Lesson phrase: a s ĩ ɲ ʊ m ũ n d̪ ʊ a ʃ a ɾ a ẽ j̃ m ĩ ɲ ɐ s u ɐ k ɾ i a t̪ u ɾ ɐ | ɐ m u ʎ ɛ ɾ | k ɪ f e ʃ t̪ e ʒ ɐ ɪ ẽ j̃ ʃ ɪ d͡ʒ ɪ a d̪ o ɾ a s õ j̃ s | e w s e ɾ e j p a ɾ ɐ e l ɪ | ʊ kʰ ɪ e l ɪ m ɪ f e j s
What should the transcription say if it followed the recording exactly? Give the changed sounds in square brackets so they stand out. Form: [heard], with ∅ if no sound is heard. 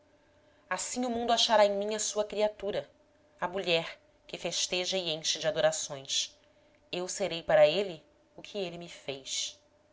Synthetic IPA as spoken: a s ĩ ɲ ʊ m ũ n d̪ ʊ a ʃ a ɾ a ẽ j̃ m ĩ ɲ ɐ s u ɐ k ɾ i a t̪ u ɾ ɐ | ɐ m u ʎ ɛ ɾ | k ɪ f e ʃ t̪ e ʒ ɐ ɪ ẽ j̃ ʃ ɪ d͡ʒ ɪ a d̪ o ɾ a s õ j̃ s | e w s e ɾ e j p a ɾ ɐ e l ɪ | ʊ kʰ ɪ e l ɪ m ɪ f e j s